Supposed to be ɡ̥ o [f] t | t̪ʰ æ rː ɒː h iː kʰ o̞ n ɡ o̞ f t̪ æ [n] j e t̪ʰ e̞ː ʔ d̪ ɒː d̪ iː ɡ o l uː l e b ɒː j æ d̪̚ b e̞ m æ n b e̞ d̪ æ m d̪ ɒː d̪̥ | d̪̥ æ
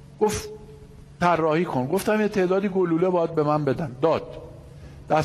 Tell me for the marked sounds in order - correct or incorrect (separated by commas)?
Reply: correct, incorrect